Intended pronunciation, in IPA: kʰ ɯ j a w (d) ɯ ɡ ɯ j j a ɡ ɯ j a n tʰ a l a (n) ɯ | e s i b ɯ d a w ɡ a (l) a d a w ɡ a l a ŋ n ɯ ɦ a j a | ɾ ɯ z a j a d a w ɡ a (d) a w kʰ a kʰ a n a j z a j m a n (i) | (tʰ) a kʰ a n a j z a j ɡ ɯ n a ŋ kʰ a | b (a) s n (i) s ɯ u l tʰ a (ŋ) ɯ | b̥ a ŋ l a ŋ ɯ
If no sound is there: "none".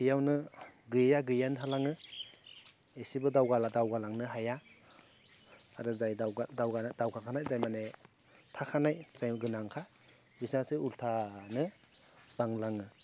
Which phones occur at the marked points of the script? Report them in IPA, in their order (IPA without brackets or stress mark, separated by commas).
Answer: n, ŋ, l, d, e, tʰ, i, a, n